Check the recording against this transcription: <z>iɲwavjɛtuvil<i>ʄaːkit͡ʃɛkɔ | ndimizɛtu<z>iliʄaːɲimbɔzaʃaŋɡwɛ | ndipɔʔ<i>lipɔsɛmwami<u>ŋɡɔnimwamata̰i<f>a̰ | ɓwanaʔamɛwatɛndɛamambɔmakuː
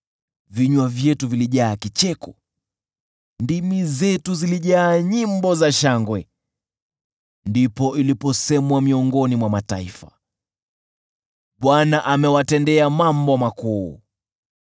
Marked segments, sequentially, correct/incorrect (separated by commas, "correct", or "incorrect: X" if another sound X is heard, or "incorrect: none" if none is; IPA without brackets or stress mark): incorrect: v, correct, correct, correct, incorrect: ɔ, correct